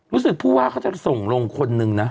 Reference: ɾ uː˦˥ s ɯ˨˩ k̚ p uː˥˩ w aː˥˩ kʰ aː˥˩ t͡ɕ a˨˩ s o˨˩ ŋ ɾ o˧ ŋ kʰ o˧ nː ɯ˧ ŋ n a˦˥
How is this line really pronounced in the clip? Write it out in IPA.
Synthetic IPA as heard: ɾ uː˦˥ s ɯ˨˩ k̚ pʰ uː˥˩ w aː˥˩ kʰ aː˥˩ t͡ɕ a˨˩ s o˨˩ ŋ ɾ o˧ ŋ kʰ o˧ nː ɯ˧ ŋ n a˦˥